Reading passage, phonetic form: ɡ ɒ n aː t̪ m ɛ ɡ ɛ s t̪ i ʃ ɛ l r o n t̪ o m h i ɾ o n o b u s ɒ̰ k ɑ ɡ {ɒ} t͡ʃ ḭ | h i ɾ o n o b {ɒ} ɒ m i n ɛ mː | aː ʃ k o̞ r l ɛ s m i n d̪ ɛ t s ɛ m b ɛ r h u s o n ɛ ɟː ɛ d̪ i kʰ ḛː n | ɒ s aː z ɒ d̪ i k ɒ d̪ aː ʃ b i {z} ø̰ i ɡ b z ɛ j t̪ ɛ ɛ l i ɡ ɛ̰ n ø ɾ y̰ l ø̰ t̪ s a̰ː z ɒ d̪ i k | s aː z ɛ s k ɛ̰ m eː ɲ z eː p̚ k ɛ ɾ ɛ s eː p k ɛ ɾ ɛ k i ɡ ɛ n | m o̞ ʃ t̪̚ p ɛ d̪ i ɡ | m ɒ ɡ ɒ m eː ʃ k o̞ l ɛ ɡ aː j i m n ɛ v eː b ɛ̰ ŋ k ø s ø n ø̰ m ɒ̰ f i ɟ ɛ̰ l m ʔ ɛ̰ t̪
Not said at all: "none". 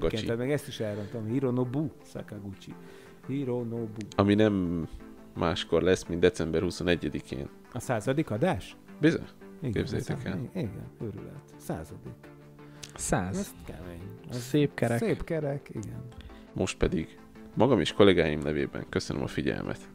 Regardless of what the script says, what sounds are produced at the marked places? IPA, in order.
u, u, z

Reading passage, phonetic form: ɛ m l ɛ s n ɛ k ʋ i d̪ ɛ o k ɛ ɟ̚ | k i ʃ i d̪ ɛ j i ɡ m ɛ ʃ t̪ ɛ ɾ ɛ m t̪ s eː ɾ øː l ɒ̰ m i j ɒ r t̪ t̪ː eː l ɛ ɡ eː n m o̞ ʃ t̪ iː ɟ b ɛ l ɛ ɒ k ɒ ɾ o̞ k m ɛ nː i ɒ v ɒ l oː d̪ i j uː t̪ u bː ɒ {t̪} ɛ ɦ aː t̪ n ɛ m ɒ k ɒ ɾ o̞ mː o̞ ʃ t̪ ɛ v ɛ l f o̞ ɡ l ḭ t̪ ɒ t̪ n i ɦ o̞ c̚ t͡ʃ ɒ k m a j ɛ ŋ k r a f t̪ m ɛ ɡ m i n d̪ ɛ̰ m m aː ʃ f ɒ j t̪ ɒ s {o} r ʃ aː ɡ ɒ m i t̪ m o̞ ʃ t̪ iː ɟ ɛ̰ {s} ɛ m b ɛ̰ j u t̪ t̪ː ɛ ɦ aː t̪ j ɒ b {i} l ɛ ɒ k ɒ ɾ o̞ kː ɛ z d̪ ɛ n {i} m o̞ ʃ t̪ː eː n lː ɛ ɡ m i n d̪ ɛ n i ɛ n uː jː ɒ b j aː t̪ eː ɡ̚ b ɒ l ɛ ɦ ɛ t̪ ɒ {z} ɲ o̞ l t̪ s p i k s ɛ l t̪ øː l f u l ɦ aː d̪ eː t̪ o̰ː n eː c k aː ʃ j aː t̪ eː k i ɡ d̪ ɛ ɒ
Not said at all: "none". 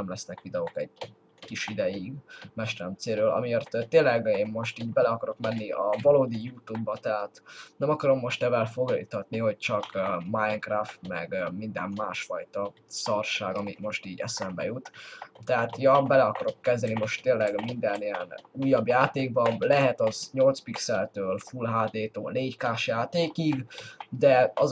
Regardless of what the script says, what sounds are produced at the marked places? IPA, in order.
t̪, ɒ, s, ɛ, i, z

